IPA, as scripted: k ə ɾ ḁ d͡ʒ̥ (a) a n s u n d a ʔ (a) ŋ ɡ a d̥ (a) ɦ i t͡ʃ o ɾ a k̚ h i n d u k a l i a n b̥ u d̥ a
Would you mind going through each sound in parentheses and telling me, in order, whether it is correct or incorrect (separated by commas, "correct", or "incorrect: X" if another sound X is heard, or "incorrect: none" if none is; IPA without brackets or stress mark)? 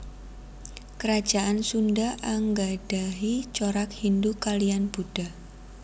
correct, correct, correct